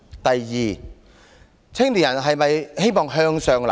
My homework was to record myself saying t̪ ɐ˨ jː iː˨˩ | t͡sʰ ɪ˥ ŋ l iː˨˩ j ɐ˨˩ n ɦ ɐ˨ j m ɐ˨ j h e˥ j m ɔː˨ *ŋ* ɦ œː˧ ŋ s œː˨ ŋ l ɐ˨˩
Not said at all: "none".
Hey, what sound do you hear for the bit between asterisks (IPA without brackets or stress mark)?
ŋ